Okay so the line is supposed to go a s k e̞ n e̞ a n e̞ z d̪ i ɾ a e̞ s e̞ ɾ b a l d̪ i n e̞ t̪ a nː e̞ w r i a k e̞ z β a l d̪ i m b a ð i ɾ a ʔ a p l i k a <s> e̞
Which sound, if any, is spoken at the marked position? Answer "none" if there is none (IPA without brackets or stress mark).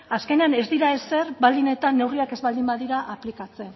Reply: t͡s